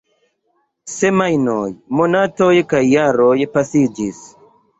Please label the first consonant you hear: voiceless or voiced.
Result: voiceless